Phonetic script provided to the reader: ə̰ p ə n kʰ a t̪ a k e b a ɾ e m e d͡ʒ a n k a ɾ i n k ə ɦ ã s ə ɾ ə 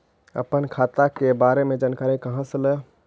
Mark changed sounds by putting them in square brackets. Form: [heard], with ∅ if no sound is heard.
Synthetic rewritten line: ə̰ p ə n kʰ a t̪ a k e b a ɾ e m e d͡ʒ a n k a ɾ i [∅] k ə ɦ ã s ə [l] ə